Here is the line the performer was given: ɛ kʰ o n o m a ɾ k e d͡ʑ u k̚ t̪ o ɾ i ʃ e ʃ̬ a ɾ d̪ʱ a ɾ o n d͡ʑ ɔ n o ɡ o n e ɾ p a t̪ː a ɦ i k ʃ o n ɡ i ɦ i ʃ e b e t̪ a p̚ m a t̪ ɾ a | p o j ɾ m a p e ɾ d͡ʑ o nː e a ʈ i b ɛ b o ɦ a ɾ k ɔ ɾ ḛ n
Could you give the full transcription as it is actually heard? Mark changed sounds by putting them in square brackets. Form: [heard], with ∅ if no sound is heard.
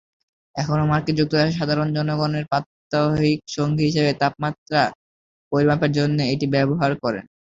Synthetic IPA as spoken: ɛ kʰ o n o m a ɾ k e d͡ʑ u k̚ t̪ o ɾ [a] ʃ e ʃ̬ a [∅] d̪ʱ a ɾ o n d͡ʑ ɔ n o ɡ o n e ɾ p a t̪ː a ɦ i k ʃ o [ŋ] ɡ i ɦ i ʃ e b e t̪ a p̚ m a t̪ ɾ a | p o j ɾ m a p e ɾ d͡ʑ o nː e [e] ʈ i b ɛ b o ɦ a ɾ k ɔ ɾ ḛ n